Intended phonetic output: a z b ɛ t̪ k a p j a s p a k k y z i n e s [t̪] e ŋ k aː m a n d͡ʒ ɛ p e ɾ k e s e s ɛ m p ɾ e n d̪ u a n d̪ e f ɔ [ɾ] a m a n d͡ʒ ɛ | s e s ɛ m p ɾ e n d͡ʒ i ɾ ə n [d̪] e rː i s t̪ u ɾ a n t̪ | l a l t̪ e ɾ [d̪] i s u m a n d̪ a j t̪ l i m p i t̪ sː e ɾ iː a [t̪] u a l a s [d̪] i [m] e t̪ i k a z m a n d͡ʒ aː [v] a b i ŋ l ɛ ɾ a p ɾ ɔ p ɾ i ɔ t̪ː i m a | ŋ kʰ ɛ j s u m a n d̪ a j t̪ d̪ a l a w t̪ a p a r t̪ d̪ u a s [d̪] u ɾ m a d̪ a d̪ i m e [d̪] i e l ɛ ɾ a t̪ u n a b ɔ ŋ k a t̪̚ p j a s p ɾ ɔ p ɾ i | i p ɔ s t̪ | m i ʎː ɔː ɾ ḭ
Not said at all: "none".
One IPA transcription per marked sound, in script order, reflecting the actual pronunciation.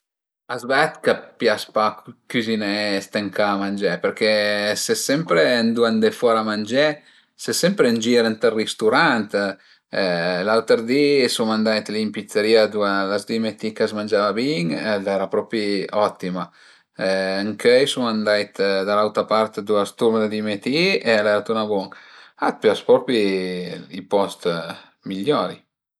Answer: t̪, ɾ, t̪, d̪, d̪, d̪, m, v, t̪, t̪

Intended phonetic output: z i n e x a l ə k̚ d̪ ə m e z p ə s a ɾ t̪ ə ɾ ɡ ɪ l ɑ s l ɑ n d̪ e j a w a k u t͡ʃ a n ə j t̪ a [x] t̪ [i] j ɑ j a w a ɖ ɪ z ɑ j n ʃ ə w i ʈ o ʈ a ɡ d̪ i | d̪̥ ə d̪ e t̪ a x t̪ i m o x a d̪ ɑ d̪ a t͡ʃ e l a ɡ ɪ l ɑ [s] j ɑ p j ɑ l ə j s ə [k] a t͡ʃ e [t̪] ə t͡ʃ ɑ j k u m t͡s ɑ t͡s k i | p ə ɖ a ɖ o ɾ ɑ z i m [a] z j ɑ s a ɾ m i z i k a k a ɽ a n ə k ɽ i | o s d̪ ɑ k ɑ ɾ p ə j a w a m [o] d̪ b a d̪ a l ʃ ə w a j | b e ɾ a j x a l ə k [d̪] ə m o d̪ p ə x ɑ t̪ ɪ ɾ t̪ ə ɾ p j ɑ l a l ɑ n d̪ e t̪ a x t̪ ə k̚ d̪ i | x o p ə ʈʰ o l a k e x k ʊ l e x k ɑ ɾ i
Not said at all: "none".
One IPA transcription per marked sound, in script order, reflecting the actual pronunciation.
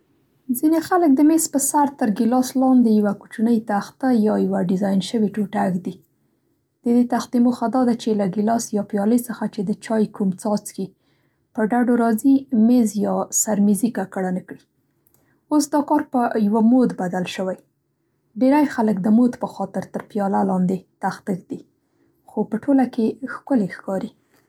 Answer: x, a, s, x, d̪, e, o, d̪

